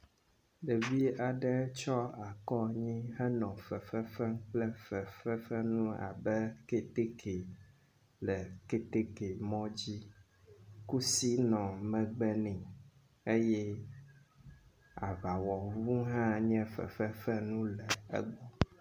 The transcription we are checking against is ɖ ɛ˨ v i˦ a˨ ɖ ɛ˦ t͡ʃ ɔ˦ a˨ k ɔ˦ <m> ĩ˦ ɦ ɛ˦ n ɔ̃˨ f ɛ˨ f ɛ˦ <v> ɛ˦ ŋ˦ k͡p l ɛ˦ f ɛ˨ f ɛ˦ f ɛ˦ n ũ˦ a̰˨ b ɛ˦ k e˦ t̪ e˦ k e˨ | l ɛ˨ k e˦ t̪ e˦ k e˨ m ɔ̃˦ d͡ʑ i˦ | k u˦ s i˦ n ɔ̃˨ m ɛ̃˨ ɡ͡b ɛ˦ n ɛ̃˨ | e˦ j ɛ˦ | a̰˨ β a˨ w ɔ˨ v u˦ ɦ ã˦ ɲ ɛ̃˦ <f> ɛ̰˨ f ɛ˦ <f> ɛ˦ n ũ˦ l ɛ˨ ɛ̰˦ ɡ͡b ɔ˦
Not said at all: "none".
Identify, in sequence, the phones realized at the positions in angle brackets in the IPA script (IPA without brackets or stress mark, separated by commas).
ɲ, f, f, f